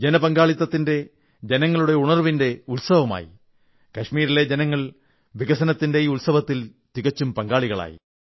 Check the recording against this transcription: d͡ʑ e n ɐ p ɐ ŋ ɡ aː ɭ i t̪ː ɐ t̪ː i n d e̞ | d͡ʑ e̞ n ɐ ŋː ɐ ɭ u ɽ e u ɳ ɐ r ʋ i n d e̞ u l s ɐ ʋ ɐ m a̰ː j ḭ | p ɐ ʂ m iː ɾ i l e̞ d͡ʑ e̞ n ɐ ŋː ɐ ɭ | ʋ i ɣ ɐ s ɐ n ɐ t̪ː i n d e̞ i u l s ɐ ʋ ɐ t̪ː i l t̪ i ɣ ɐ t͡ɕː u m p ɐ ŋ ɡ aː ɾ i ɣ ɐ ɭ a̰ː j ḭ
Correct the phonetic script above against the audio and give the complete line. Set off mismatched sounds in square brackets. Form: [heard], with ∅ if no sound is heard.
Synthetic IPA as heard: d͡ʑ e n ɐ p ɐ ŋ ɡ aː ɭ i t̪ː ɐ t̪ː i n d e̞ | d͡ʑ e̞ n ɐ ŋː ɐ ɭ u ɽ e u ɳ ɐ r ʋ i n d e̞ u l s ɐ ʋ ɐ m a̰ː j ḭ | [k] ɐ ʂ m iː ɾ i l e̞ d͡ʑ e̞ n ɐ ŋː ɐ ɭ | ʋ i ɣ ɐ s ɐ n ɐ t̪ː i n d e̞ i u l s ɐ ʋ ɐ t̪ː i l t̪ i ɣ ɐ t͡ɕː u m p ɐ ŋ ɡ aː [ɭ] i ɣ ɐ ɭ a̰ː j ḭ

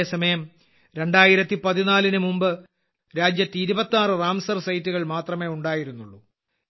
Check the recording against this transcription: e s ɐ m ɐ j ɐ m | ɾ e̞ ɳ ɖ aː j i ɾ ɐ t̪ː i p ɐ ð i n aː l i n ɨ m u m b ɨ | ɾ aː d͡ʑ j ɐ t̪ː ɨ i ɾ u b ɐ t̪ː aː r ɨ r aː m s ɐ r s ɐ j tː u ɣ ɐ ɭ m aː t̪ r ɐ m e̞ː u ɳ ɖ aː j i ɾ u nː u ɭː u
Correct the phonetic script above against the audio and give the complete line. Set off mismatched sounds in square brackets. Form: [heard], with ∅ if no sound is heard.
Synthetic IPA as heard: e s ɐ m ɐ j ɐ m | ɾ e̞ ɳ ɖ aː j i ɾ ɐ t̪ː i p ɐ ð i n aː l i n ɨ m u m b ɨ | ɾ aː d͡ʑ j ɐ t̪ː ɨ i ɾ u b ɐ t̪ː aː r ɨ r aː m s ɐ r s ɐ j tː u ɣ ɐ ɭ m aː t̪ r ɐ m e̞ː u ɳ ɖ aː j i ɾ u nː u ɭː u

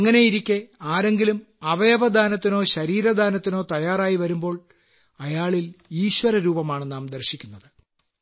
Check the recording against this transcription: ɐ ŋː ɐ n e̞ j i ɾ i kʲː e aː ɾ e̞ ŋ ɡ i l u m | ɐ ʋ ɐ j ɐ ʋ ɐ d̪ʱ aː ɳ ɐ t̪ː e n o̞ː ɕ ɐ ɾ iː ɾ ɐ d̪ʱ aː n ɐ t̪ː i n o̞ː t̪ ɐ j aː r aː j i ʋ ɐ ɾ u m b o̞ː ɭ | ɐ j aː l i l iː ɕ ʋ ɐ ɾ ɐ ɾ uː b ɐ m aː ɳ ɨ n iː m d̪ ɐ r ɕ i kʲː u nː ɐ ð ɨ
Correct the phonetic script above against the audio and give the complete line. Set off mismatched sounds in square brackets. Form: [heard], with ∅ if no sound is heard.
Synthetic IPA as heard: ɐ ŋː ɐ n e̞ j i ɾ i kʲː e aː ɾ e̞ ŋ ɡ i l u m | ɐ ʋ ɐ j ɐ ʋ ɐ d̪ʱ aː [n] ɐ t̪ː [i] n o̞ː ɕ ɐ ɾ iː ɾ ɐ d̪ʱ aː n ɐ t̪ː i n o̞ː t̪ ɐ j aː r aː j i ʋ ɐ ɾ u m b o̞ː ɭ | ɐ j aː [ɭ] i l iː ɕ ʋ ɐ ɾ ɐ ɾ uː b ɐ m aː ɳ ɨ n [aː] m d̪ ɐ r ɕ i kʲː u nː ɐ ð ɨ

